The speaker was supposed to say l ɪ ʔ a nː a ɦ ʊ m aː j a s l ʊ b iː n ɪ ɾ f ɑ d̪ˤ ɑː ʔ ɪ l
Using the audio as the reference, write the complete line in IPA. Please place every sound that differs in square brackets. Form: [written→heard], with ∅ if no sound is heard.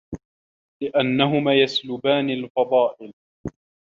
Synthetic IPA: l ɪ ʔ a nː a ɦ ʊ m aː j a s l ʊ b [iː→aː] n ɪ [ɾ→l] f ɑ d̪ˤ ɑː ʔ ɪ l